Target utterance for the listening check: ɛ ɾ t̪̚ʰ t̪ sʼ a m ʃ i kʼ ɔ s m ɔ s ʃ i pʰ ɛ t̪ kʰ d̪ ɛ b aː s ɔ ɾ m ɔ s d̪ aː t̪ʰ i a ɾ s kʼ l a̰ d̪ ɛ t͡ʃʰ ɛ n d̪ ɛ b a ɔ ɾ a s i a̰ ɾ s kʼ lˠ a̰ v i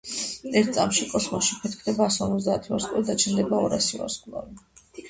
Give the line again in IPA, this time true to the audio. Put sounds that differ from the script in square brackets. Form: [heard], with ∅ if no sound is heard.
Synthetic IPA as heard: ɛ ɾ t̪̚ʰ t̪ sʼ a m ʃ i kʼ ɔ s m ɔ s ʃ i pʰ ɛ t̪ kʰ d̪ ɛ b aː s ɔ ɾ m ɔ [z] d̪ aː t̪ʰ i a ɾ s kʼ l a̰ d̪ [a] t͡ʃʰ ɛ n d̪ ɛ b a ɔ ɾ a s i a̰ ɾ s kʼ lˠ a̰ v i